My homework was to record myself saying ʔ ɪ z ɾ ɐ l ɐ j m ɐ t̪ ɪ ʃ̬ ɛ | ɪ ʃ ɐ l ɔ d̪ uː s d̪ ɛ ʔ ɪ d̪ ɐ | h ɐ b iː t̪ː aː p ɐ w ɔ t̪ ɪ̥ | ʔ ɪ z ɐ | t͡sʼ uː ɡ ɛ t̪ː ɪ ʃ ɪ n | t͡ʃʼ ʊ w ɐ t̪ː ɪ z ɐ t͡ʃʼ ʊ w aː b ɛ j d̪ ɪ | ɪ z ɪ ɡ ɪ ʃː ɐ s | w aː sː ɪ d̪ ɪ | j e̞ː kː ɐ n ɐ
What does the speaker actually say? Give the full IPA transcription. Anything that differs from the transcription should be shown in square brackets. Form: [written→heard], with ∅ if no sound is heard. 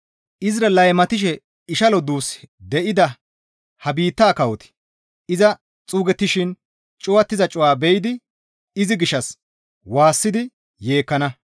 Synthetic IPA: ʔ ɪ z ɾ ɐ l ɐ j m ɐ t̪ ɪ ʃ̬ ɛ | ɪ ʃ ɐ l ɔ d̪ uː s d̪ ɛ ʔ ɪ d̪ ɐ | h ɐ b iː t̪ː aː [p→k] ɐ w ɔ t̪ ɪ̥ | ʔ ɪ z ɐ | t͡sʼ uː ɡ ɛ t̪ː ɪ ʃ ɪ n | t͡ʃʼ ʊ w ɐ t̪ː ɪ z ɐ t͡ʃʼ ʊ w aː b ɛ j d̪ ɪ | ɪ z ɪ ɡ ɪ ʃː ɐ s | w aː sː ɪ d̪ ɪ | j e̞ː kː ɐ n ɐ